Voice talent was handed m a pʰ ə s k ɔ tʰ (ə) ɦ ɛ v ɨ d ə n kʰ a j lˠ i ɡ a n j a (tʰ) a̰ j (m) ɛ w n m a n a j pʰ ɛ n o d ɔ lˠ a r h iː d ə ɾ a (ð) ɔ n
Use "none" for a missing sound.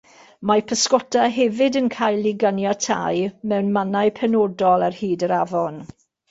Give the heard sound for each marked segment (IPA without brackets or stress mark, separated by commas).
a, tʰ, m, v